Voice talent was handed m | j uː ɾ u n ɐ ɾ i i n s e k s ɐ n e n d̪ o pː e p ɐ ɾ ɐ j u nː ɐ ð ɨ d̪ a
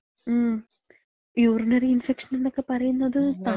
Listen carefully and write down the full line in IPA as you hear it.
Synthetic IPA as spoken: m | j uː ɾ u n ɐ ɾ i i n f e k ʂ ɐ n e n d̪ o kː e p ɐ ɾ ɐ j u nː ɐ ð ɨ t̪ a